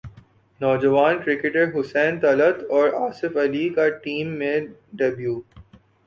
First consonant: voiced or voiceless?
voiced